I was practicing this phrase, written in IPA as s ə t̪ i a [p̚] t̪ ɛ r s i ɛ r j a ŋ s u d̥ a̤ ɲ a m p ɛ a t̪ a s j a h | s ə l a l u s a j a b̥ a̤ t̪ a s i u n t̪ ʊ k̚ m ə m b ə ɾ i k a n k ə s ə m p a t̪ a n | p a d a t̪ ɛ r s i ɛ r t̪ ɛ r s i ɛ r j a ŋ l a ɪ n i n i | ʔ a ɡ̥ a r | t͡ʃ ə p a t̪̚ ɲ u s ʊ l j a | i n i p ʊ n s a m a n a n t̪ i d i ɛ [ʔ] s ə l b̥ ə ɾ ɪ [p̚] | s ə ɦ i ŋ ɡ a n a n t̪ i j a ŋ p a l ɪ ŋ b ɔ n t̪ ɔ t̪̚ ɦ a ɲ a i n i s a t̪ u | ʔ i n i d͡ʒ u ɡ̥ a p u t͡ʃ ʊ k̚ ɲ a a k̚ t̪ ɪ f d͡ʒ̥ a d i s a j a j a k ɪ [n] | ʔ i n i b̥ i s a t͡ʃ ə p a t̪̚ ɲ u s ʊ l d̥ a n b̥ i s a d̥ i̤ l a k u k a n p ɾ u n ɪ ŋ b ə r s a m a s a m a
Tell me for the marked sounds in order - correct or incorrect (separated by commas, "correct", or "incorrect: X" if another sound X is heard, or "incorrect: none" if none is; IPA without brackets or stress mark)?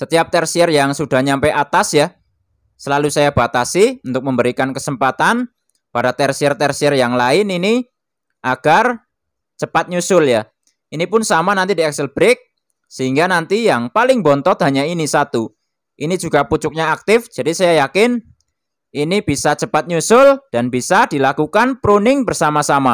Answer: correct, incorrect: k, incorrect: k̚, correct